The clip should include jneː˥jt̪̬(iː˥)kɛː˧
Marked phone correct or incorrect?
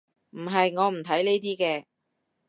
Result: correct